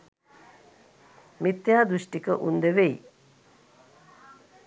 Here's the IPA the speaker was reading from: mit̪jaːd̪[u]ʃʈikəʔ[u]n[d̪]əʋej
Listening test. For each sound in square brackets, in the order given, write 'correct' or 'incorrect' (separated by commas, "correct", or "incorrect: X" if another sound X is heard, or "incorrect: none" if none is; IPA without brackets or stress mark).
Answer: correct, correct, correct